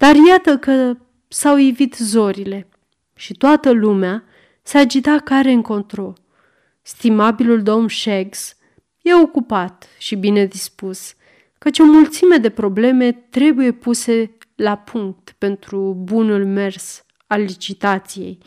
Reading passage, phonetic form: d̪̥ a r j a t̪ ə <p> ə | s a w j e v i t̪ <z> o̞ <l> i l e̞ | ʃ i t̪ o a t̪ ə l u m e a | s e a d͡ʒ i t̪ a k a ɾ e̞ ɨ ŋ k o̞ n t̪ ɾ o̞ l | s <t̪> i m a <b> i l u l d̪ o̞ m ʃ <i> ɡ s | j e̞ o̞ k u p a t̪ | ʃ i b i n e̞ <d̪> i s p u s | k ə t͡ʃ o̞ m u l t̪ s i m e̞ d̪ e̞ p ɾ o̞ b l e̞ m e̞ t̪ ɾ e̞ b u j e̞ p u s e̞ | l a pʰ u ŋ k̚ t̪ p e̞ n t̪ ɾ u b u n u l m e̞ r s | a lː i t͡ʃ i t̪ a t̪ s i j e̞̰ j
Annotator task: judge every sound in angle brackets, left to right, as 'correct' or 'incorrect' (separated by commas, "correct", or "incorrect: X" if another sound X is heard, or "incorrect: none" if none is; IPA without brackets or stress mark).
incorrect: k, correct, incorrect: ɾ, correct, correct, incorrect: e, correct